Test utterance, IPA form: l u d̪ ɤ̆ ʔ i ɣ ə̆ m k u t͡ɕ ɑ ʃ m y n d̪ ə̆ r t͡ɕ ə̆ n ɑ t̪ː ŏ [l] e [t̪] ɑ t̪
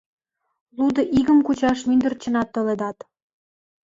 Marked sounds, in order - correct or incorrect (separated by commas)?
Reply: correct, incorrect